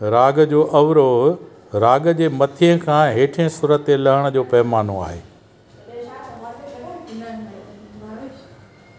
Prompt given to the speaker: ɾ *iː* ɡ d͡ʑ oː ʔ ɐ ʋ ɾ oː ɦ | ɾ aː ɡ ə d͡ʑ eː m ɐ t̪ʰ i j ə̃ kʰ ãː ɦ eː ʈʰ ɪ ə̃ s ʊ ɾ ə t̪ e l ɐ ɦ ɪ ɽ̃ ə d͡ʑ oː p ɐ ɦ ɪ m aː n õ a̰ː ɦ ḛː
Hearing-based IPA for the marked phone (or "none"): aː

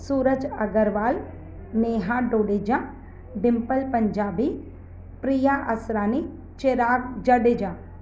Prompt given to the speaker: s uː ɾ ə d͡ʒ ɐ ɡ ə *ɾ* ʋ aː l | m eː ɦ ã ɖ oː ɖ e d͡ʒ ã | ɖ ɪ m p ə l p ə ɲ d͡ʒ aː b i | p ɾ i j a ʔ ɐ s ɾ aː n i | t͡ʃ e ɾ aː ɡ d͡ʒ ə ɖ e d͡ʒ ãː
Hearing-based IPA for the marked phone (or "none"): ɾ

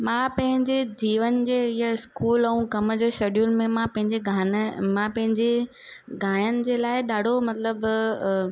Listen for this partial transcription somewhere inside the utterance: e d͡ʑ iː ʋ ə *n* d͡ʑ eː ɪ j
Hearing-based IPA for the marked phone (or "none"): n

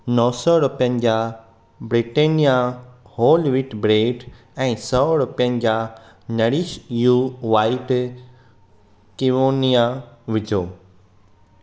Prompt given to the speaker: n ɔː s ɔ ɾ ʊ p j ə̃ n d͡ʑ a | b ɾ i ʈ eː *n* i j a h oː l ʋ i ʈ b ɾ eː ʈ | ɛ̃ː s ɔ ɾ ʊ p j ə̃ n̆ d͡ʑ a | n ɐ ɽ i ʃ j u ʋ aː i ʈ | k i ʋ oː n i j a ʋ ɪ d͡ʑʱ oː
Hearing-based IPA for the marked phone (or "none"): n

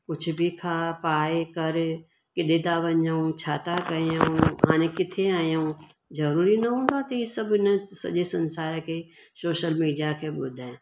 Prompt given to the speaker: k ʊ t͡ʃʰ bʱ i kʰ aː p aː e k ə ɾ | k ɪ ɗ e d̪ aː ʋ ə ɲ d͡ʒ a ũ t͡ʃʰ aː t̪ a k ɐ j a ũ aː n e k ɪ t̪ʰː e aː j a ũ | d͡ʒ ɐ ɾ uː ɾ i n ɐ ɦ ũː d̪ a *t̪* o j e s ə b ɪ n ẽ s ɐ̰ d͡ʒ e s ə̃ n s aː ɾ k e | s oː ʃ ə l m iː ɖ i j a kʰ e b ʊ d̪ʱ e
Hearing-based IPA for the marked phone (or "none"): t̪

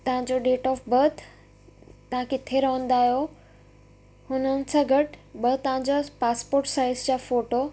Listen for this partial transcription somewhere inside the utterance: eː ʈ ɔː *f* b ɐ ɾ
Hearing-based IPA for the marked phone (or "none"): f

